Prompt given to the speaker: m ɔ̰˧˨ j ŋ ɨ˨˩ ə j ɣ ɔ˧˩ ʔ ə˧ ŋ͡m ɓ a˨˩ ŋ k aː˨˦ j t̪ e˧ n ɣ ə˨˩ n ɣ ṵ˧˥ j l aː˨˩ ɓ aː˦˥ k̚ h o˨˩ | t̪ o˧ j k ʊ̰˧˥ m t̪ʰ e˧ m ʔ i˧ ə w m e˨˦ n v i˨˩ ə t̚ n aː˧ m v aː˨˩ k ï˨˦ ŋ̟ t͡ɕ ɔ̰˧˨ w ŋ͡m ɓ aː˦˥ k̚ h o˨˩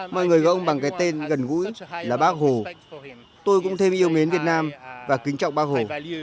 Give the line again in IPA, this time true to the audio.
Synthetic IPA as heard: m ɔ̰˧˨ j ŋ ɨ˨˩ ə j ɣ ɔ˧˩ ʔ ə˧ ŋ͡m ɓ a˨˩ ŋ k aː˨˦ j t̪ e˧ n ɣ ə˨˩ n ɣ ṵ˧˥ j l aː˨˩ ɓ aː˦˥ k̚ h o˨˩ | t̪ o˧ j k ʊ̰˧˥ ŋ͡m t̪ʰ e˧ m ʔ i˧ ə w m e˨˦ n v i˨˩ ə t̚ n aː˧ m v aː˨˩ k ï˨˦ ŋ̟ t͡ɕ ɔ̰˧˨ w ŋ͡m ɓ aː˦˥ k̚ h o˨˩

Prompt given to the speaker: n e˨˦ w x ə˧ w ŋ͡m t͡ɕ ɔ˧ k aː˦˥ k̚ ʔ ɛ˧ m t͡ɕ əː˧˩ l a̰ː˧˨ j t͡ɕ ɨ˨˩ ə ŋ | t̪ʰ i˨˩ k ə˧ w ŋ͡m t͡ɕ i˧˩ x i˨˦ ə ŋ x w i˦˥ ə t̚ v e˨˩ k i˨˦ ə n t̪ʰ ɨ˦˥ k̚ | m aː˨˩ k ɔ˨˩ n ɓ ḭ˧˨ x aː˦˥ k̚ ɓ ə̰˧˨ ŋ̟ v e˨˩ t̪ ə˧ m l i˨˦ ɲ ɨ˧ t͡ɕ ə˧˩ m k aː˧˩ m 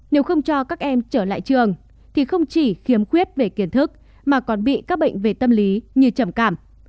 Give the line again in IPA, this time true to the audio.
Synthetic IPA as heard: n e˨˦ w x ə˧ w ŋ͡m t͡ɕ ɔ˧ k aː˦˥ k̚ ʔ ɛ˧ m t͡ɕ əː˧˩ l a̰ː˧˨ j t͡ɕ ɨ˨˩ ə ŋ | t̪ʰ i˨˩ x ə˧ w ŋ͡m t͡ɕ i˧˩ x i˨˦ ə m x w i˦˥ ə t̚ v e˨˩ k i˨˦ ə n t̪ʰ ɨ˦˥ k̚ | m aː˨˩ k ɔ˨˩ n ɓ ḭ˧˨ k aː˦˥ k̚ ɓ ə̰˧˨ ŋ̟ v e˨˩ t̪ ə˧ m l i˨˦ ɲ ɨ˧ t͡ɕ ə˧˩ m k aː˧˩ m

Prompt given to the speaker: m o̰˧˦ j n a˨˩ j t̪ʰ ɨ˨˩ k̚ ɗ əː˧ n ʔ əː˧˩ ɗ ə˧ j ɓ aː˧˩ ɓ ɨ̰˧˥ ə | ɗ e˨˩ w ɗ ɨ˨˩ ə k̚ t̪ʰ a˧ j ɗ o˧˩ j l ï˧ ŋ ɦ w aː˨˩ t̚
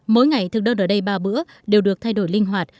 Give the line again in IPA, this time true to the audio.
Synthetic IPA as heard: m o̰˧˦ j ŋ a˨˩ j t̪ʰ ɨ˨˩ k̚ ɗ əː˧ n ʔ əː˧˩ ɗ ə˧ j ɓ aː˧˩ ɓ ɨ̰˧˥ ə | ɗ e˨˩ w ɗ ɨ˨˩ ə k̚ t̪ʰ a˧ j ɗ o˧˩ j l ï˧ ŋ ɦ w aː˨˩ t̚

